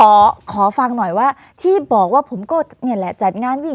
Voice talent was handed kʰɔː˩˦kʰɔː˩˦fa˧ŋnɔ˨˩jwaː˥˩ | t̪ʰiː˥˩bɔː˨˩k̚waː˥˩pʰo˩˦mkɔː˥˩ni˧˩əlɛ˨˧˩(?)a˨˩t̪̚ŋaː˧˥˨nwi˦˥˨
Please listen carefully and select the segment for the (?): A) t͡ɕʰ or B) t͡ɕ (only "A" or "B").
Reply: B